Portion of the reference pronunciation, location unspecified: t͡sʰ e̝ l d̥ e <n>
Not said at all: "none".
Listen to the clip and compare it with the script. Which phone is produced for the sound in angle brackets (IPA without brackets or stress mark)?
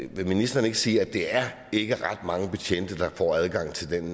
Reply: n